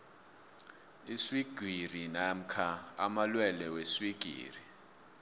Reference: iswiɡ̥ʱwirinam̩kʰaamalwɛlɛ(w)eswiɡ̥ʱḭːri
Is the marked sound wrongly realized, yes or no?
no